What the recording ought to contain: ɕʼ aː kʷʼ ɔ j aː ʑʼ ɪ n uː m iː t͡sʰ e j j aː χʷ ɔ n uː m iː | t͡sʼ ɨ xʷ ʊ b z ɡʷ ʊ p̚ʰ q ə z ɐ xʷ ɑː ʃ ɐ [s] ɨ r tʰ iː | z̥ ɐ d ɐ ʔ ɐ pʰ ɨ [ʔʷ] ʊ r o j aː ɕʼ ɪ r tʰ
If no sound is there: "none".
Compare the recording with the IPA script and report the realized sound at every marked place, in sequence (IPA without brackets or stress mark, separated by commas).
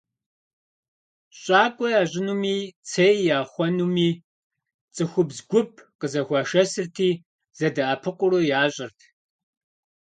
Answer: s, qʷ